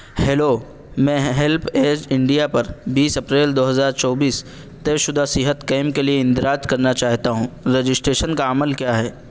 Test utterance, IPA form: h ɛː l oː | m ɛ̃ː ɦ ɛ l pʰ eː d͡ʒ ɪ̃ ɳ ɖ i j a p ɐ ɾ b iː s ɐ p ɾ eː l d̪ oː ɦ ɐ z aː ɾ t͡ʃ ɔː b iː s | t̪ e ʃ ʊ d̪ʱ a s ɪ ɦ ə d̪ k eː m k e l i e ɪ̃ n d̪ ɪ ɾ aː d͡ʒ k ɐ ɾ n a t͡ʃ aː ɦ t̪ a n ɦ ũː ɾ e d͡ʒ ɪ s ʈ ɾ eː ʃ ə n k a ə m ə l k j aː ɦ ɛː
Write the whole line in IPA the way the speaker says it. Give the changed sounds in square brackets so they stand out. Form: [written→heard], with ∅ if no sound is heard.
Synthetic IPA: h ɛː l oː | m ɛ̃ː ɦ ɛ l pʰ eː d͡ʒ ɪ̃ ɳ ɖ i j a p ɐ ɾ b iː s ɐ p ɾ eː l d̪ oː ɦ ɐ z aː ɾ t͡ʃ ɔː b iː s | t̪ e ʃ ʊ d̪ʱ a s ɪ ɦ ə [d̪→t̪] k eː m k e l i e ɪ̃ n d̪ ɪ ɾ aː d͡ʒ k ɐ ɾ n a t͡ʃ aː ɦ t̪ a [n→∅] ɦ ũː ɾ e d͡ʒ ɪ s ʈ ɾ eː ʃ ə n k a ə m ə l k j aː ɦ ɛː